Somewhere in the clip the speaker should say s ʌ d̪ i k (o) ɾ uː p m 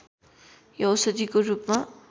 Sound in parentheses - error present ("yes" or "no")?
no